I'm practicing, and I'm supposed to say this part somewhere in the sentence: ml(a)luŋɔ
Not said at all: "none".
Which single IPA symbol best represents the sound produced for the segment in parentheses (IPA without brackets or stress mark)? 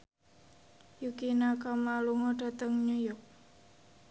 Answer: a